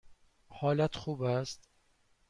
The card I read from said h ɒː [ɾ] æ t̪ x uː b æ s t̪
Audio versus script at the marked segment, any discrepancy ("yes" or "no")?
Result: yes